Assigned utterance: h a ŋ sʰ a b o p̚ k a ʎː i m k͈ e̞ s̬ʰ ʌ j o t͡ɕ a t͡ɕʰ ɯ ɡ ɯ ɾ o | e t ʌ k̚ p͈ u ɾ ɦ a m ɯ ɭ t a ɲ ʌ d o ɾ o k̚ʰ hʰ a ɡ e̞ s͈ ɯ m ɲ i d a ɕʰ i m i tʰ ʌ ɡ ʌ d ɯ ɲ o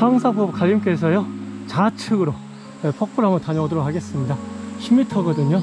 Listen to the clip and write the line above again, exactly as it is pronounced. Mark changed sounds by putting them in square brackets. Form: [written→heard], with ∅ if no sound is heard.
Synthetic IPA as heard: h a ŋ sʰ a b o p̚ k a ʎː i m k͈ e̞ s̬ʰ ʌ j o t͡ɕ a t͡ɕʰ ɯ ɡ ɯ ɾ o | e [t→p] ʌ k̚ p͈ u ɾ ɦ a m ɯ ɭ t a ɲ ʌ d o ɾ o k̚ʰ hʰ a ɡ e̞ s͈ ɯ m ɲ i d a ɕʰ i m i tʰ ʌ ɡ ʌ d ɯ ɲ o

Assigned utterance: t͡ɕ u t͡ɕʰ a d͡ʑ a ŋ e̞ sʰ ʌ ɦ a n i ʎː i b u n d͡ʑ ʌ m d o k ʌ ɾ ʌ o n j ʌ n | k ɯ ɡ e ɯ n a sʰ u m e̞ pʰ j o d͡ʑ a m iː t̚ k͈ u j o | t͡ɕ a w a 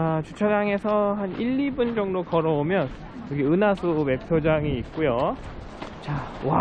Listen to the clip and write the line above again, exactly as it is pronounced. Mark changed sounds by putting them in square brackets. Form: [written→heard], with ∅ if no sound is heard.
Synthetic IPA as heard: t͡ɕ u t͡ɕʰ a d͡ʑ a ŋ e̞ sʰ ʌ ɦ a n i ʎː i b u n d͡ʑ ʌ [m→ŋ] d o k ʌ ɾ ʌ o [n→m] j ʌ n | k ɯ ɡ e ɯ n a sʰ u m e̞ pʰ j o d͡ʑ a [m→ŋ] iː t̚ k͈ u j o | t͡ɕ a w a

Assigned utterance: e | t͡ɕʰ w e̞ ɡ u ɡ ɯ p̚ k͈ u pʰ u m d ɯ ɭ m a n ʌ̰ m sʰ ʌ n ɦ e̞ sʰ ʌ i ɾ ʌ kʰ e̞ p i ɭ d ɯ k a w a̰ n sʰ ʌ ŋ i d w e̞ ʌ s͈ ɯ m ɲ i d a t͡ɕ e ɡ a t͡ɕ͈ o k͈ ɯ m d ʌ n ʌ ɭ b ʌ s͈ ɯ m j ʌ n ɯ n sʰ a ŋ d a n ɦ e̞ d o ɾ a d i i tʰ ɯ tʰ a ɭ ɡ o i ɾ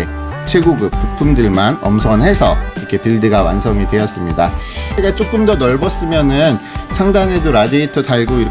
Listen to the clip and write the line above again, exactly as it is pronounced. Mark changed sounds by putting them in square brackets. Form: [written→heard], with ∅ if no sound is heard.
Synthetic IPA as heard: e | t͡ɕʰ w e̞ ɡ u ɡ ɯ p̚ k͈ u pʰ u m d ɯ ɭ m a n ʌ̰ m sʰ ʌ n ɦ e̞ sʰ ʌ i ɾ ʌ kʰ e̞ p i ɭ d ɯ [k→ɡ] a w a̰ n sʰ ʌ ŋ i d w e̞ ʌ s͈ ɯ m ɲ i d a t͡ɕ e ɡ a t͡ɕ͈ o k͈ ɯ m d ʌ n ʌ ɭ b ʌ s͈ ɯ m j ʌ n ɯ n sʰ a ŋ d a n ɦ e̞ d o ɾ a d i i tʰ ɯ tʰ a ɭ ɡ o i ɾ

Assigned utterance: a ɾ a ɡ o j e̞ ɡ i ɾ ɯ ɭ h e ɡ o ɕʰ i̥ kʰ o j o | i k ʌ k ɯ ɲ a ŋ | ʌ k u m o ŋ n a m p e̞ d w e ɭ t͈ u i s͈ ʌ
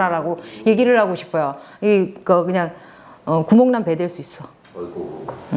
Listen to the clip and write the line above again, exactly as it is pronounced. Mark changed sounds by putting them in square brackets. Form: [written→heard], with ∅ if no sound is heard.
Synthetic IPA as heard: a ɾ a ɡ o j e̞ ɡ i ɾ ɯ ɭ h [e→a] ɡ o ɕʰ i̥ [kʰ→pʰ] o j o | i k ʌ k ɯ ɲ a ŋ | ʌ k u m o ŋ n a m p e̞ d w e ɭ [t͈→s͈] u i s͈ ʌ

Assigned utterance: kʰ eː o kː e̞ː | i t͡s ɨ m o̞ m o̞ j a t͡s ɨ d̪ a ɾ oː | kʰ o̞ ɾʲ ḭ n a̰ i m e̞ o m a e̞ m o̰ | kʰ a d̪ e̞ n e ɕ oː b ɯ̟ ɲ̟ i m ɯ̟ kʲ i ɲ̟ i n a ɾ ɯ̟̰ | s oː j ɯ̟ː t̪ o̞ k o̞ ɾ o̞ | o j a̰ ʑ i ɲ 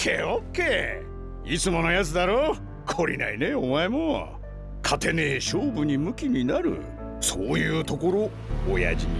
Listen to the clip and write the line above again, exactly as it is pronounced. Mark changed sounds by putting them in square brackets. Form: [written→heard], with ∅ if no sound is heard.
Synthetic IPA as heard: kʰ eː o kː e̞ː | i t͡s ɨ m o̞ [m→n] o̞ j a t͡s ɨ d̪ a ɾ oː | kʰ o̞ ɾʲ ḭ n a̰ i [m→n] e̞ o m a e̞ m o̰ | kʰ a [d̪→t̪] e̞ n e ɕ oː b ɯ̟ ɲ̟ i m ɯ̟ kʲ i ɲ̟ i n a ɾ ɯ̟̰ | s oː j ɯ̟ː t̪ o̞ k o̞ ɾ o̞ | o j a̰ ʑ i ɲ

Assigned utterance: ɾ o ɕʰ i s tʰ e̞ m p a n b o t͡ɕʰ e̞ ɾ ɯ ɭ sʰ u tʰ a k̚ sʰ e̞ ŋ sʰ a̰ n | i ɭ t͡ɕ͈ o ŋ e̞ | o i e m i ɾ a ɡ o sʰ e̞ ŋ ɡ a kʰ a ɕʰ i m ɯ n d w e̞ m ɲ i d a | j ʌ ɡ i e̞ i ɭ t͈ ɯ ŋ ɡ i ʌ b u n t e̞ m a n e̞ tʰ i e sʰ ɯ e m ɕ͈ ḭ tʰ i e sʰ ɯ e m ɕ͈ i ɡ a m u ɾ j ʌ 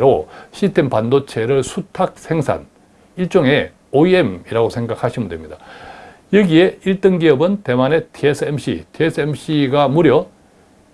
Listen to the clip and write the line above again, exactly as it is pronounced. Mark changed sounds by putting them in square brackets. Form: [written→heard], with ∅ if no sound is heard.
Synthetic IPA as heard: ɾ o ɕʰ i s tʰ e̞ m p a n [b→d] o t͡ɕʰ e̞ ɾ ɯ ɭ sʰ u tʰ a k̚ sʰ e̞ ŋ sʰ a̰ n | i ɭ t͡ɕ͈ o ŋ e̞ | o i e m i ɾ a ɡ o sʰ e̞ ŋ ɡ a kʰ a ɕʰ i m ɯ n d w e̞ m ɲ i d a | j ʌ ɡ i e̞ i ɭ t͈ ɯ ŋ ɡ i ʌ b [u→ɯ] n t e̞ m a n e̞ tʰ i e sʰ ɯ e m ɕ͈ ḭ tʰ i e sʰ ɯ e m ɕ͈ i ɡ a m u ɾ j ʌ

